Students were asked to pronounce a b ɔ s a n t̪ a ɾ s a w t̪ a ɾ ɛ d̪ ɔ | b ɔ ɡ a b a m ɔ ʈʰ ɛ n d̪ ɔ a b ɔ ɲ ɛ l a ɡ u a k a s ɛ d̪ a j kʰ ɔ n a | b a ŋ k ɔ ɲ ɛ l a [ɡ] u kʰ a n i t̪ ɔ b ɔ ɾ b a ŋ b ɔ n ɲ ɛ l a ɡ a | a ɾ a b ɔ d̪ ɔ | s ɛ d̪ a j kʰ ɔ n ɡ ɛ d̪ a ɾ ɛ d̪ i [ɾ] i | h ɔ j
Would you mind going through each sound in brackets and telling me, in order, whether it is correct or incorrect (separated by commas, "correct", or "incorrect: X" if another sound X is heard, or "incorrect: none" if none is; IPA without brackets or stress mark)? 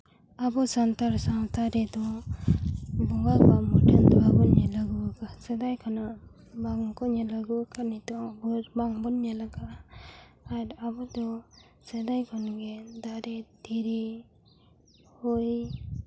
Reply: correct, correct